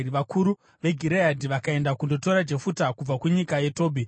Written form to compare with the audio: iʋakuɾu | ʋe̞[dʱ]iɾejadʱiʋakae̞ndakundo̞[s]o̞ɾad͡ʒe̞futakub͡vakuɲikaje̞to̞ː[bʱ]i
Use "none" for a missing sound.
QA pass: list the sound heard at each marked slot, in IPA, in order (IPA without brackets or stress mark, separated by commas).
ɡʱ, t, bʱ